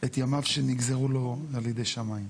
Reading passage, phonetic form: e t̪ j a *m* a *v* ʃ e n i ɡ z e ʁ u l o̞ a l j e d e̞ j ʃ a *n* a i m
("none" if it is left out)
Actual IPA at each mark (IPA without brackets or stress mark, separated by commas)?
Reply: m, v, m